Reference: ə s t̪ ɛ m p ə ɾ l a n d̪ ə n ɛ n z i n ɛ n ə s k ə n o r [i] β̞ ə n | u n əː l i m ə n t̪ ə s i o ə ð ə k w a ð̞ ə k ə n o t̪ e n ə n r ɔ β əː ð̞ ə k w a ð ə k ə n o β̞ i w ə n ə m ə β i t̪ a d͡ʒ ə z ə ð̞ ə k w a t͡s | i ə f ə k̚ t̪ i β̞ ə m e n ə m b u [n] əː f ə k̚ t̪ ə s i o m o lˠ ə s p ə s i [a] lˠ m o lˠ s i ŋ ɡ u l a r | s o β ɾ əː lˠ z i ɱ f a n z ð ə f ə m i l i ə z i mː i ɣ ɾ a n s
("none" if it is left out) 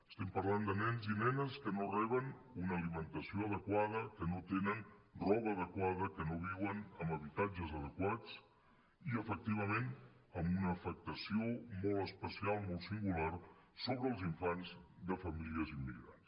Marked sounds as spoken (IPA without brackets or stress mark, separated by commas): ɛ, n, a